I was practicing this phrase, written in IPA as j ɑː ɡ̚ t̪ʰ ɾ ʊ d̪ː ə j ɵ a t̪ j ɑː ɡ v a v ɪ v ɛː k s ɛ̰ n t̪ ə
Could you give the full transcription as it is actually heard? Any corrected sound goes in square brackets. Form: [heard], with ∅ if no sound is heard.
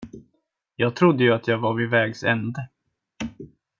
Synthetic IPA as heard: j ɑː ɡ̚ t̪ʰ ɾ ʊ d̪ː ə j ɵ a t̪ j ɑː ɡ v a v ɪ v ɛː [ɡ] s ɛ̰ n [d̪] ə